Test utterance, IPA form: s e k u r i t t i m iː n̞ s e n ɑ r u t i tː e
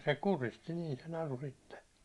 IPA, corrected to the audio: s e k u r i s t i n iː n̞ s e n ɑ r u s i tː e